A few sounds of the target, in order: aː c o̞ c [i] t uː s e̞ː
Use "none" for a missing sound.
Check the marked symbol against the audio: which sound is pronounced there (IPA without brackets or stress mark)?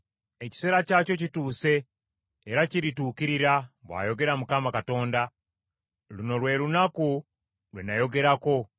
i